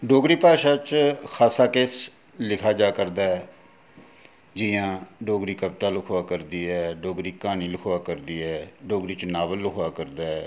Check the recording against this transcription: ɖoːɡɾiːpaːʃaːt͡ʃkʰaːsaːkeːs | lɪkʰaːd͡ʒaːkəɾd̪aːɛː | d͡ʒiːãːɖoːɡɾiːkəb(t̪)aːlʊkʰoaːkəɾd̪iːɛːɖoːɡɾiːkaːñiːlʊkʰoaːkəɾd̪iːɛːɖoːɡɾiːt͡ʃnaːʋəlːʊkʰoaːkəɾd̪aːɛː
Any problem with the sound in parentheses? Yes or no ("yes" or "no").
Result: no